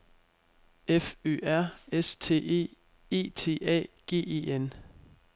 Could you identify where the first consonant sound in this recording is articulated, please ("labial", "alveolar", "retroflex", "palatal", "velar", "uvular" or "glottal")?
labial